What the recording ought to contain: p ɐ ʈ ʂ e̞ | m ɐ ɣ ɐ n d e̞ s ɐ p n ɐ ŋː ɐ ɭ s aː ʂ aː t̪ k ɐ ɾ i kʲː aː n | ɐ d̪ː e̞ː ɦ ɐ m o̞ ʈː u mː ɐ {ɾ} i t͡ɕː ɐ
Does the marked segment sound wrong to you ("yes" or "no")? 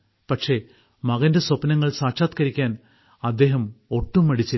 yes